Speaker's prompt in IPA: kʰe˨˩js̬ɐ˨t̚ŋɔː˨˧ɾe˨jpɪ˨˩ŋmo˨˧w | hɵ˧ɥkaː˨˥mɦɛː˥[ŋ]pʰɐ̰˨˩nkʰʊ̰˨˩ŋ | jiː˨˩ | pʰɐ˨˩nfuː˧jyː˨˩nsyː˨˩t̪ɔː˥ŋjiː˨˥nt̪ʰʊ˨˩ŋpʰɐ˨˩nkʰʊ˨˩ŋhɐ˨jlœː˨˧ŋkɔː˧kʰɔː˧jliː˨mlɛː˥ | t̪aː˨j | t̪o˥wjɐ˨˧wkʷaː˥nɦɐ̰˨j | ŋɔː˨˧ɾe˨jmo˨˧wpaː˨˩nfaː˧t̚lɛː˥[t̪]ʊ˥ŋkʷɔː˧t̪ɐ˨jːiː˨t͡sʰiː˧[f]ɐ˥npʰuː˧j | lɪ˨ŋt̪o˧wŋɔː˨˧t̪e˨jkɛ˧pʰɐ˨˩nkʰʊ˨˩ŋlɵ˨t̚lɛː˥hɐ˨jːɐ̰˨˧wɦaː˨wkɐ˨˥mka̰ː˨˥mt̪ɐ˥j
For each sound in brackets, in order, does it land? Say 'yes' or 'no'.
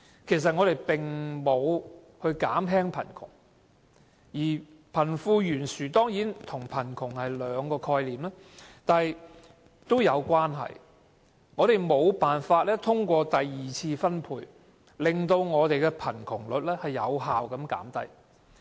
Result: yes, no, yes

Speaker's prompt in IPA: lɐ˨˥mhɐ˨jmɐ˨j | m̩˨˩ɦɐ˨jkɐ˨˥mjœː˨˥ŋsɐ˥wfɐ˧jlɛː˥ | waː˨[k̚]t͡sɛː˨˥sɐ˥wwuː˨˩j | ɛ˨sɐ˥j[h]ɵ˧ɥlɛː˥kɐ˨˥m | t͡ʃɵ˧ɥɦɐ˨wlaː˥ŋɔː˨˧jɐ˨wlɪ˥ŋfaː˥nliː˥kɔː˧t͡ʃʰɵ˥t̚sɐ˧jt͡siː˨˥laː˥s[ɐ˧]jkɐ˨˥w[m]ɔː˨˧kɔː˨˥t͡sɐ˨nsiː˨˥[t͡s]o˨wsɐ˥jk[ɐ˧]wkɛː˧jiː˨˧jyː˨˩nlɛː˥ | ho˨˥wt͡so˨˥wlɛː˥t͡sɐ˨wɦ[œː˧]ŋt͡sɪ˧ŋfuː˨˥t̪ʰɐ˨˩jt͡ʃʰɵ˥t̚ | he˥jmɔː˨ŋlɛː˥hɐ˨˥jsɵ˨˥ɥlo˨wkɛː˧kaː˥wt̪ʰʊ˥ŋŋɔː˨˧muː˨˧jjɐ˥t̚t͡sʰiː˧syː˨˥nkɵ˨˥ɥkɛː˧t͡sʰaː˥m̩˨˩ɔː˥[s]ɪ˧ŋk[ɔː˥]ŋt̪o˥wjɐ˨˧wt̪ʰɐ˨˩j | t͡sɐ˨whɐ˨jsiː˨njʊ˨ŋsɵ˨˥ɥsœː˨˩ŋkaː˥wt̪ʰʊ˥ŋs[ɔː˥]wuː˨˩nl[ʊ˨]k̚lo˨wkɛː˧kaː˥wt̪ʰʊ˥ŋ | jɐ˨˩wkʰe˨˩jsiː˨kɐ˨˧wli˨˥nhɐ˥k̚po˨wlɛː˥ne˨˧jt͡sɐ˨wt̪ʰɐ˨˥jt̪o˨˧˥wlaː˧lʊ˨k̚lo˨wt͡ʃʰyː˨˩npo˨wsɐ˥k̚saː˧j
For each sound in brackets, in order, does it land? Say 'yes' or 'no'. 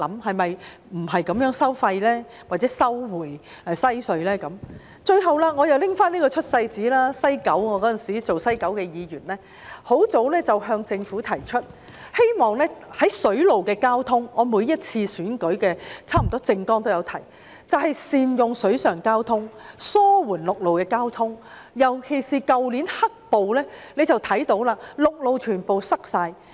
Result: no, no, no, no, yes, no, yes, no, yes, yes, yes

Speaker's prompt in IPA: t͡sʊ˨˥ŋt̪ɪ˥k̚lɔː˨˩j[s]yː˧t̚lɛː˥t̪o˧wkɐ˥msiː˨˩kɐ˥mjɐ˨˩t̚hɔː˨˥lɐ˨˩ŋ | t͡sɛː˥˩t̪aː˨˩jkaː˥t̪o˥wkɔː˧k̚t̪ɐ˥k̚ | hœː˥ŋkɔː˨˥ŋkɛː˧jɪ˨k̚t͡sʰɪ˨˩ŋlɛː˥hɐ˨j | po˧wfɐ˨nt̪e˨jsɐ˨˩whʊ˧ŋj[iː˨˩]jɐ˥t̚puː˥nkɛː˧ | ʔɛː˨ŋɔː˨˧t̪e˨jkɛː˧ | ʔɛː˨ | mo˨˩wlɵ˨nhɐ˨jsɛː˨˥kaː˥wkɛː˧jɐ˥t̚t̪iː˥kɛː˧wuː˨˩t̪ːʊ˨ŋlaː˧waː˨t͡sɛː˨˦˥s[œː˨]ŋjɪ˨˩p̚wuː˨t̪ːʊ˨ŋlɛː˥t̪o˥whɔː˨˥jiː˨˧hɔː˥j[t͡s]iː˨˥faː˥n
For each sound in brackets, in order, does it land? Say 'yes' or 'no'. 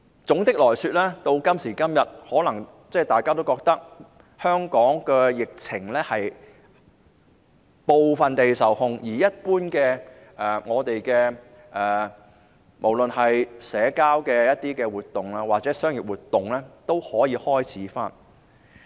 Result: yes, yes, no, no

